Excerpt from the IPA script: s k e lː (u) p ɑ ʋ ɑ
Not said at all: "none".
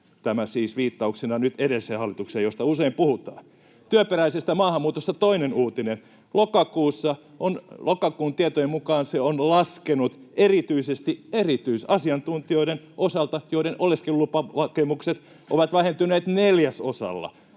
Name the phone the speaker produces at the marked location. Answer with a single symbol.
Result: u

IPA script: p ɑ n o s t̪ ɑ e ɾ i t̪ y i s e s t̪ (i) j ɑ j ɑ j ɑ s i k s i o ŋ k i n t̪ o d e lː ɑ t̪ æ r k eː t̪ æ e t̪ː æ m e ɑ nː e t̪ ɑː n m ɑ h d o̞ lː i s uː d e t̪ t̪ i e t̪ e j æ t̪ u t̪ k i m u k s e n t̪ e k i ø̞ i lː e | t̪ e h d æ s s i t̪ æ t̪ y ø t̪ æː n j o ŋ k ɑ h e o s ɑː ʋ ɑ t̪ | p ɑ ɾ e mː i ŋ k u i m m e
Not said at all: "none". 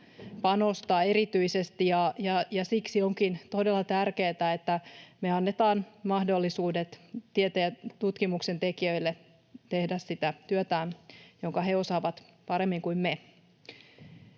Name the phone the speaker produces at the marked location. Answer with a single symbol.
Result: i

